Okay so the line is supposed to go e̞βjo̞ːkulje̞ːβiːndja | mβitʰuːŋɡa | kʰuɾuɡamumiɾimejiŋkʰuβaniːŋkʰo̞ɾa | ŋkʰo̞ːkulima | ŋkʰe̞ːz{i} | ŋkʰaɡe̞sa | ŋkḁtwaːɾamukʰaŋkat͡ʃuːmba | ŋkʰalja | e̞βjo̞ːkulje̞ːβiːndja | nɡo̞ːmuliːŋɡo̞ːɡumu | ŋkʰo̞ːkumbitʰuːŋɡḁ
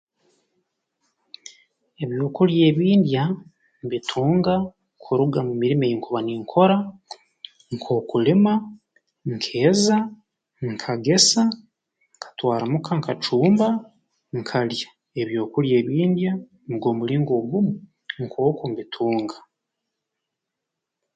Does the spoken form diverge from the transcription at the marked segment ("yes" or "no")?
yes